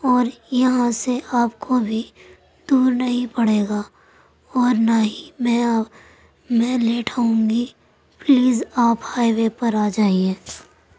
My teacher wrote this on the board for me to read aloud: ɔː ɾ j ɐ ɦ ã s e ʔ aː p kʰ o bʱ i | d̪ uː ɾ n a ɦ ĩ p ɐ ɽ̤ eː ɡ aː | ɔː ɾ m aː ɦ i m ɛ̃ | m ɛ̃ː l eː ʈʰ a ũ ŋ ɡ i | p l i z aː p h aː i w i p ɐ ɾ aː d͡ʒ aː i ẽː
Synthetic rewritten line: ɔː ɾ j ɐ ɦ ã s e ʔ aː p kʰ o bʱ i | d̪ uː ɾ n ɐ ɦ ĩ p ɐ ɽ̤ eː ɡ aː | ɔː ɾ n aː ɦ i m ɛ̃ | m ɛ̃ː l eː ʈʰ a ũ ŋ ɡ i | p l iː z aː p h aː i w e p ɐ ɾ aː d͡ʒ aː i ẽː